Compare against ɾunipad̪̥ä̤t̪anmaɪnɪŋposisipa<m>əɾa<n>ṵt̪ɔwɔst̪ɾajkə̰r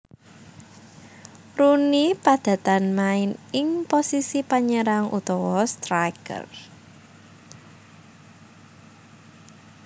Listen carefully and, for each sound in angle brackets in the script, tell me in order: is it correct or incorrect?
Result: incorrect: ɲ, incorrect: ŋ

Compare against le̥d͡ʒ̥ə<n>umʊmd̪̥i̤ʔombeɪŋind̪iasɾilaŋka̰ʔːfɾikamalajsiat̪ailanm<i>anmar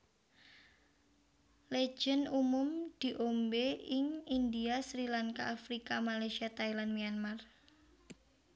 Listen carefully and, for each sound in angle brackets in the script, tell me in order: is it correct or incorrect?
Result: correct, correct

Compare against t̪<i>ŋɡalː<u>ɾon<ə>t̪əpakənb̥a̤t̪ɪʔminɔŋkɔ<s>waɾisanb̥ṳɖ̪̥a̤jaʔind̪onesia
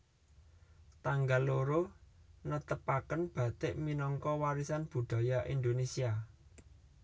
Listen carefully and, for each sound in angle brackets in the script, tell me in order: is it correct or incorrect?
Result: incorrect: a, incorrect: o, correct, incorrect: none

